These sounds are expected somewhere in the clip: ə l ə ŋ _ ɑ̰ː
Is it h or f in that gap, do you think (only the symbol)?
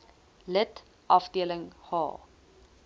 h